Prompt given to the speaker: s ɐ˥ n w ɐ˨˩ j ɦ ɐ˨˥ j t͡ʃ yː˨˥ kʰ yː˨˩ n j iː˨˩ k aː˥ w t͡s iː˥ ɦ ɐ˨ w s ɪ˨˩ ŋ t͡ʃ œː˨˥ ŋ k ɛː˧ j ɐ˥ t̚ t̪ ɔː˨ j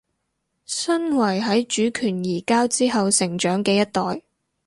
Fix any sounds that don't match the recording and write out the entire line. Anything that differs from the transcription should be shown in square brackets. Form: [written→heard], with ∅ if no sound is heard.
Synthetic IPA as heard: s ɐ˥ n w ɐ˨˩ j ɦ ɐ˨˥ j t͡ʃ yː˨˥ kʰ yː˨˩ n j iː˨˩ k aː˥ w t͡s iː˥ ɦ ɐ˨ w s ɪ˨˩ ŋ t͡ʃ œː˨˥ ŋ k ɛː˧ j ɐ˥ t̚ t̪ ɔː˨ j